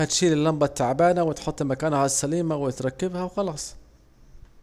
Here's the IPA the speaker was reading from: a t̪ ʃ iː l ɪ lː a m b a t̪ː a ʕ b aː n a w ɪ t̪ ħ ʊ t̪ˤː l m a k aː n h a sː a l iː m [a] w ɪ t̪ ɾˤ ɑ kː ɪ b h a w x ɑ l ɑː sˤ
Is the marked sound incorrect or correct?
correct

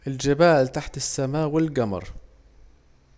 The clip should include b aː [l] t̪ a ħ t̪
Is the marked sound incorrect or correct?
correct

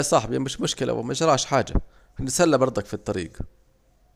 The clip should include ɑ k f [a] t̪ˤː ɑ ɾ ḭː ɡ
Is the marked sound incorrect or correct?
incorrect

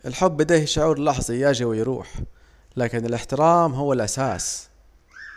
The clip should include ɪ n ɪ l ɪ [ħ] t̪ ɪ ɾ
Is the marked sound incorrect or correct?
correct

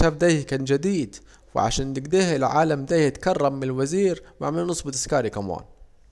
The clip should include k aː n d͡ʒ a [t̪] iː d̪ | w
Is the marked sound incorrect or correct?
incorrect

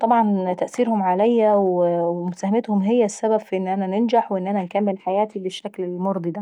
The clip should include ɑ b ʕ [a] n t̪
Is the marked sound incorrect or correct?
incorrect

